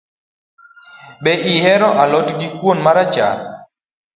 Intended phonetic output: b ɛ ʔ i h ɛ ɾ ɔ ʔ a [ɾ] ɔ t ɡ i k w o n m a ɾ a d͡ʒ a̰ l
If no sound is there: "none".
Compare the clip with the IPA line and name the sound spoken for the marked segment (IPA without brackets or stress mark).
l